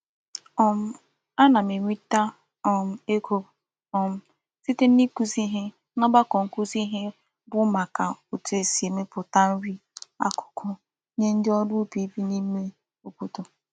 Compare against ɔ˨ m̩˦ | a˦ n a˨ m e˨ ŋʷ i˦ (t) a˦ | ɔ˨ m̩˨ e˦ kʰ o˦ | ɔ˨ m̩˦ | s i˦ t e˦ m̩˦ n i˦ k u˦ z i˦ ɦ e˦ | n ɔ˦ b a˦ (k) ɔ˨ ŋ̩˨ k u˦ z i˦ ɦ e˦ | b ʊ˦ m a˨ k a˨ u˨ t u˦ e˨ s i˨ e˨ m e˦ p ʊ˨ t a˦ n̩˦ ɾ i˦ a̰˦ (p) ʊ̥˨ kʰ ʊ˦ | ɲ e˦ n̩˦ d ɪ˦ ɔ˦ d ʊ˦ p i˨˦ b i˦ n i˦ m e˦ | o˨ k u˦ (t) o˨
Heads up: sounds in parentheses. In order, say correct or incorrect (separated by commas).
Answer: correct, correct, incorrect, correct